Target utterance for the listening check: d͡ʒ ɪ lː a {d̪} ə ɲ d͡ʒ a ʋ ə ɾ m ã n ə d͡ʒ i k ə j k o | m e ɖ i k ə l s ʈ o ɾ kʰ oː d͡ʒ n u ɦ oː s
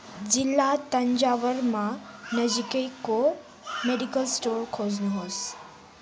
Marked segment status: incorrect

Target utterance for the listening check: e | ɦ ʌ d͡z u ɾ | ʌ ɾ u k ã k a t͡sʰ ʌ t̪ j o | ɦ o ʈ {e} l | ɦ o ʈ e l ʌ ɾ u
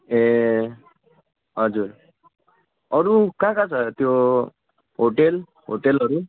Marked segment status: correct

